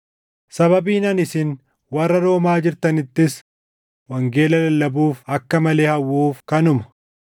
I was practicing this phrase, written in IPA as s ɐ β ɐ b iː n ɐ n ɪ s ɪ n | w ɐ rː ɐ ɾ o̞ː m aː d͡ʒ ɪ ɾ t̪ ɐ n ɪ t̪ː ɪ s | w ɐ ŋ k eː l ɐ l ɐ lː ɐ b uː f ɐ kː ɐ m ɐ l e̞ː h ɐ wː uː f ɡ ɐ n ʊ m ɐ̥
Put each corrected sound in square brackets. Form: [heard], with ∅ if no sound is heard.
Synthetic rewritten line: s ɐ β ɐ b iː n ɐ n ɪ s ɪ n | w ɐ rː ɐ ɾ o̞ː m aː d͡ʒ ɪ ɾ t̪ ɐ n ɪ t̪ː ɪ s | w ɐ ŋ [ɡ] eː l ɐ l ɐ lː ɐ b uː f ɐ kː ɐ m ɐ l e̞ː h ɐ wː uː f [k] ɐ n ʊ m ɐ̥